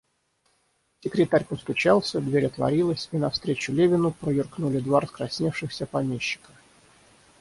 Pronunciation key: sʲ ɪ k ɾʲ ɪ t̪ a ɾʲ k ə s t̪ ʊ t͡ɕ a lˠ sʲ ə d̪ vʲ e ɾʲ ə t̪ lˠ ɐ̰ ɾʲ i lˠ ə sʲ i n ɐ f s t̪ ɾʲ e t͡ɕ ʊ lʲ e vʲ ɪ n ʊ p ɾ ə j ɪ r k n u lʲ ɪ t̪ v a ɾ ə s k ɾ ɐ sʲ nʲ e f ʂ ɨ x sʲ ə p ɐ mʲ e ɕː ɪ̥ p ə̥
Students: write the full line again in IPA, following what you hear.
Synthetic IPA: sʲ ɪ k ɾʲ ɪ t̪ a ɾʲ p ə s t̪ ʊ t͡ɕ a lˠ sʲ ə d̪ vʲ e ɾʲ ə t̪ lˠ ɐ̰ ɾʲ i lˠ ə sʲ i n ɐ f s t̪ ɾʲ e t͡ɕ ʊ lʲ e vʲ ɪ n ʊ p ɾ ə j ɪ r k n u lʲ ɪ d̪ v a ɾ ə s k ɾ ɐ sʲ nʲ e f ʂ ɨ x sʲ ə p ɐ mʲ e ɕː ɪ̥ k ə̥